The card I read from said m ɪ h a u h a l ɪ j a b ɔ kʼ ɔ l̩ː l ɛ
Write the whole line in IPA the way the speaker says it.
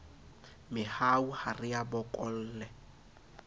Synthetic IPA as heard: m ɪ h a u h a r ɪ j a b ɔ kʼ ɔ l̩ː l ɛ